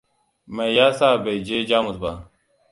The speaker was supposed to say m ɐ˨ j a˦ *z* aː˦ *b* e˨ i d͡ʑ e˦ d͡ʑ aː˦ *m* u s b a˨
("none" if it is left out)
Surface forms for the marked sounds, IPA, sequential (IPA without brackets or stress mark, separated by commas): s, b, m